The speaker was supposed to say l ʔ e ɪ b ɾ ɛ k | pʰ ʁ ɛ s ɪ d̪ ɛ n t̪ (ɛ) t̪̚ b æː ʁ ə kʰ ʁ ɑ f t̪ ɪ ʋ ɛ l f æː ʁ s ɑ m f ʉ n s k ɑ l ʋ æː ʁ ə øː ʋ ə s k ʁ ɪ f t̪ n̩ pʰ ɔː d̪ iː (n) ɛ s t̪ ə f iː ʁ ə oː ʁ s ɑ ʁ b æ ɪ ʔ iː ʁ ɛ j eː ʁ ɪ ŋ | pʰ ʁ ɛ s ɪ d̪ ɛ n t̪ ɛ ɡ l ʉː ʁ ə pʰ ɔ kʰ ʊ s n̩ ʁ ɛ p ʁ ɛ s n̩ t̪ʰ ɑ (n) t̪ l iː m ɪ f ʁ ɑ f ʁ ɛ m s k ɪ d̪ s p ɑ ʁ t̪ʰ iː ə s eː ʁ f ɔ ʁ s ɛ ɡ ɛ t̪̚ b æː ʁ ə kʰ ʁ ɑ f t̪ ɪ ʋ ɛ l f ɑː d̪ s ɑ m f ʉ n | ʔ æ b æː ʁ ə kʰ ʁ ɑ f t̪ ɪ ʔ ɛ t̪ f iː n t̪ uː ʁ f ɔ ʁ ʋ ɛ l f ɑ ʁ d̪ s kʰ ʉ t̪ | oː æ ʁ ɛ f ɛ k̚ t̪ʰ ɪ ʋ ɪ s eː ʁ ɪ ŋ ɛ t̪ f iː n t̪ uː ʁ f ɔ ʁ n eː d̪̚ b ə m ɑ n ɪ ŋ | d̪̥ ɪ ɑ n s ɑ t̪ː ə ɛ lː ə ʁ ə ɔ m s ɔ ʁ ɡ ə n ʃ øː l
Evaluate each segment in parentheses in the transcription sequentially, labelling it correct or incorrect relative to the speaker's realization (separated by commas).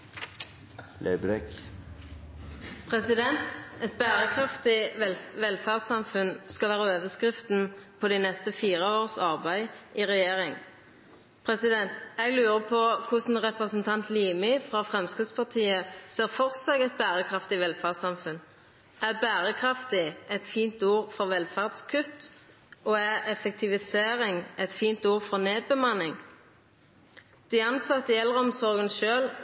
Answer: correct, correct, correct